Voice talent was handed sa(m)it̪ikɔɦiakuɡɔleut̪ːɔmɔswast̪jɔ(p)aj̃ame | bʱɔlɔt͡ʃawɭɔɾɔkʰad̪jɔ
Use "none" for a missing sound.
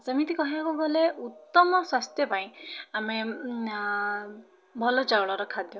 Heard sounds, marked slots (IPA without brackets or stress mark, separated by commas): m, p